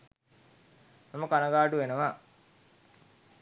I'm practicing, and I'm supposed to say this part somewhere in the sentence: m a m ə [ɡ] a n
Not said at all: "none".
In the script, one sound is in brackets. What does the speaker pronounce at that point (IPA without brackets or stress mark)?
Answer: k